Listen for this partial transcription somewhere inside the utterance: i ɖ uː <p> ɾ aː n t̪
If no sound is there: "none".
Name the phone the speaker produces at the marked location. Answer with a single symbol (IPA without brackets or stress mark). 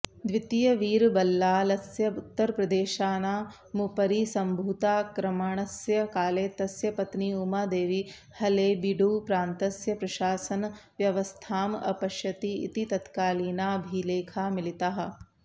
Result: p